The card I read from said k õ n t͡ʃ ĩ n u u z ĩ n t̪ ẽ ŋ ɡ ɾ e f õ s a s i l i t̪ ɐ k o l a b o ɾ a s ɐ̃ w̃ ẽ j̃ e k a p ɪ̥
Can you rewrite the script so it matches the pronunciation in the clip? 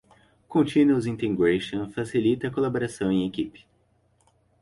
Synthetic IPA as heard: k õ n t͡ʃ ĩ n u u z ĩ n t̪ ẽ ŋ ɡ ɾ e ʃ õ f a s i l i t̪ ɐ k o l a b o ɾ a s ɐ̃ w̃ ẽ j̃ e k i p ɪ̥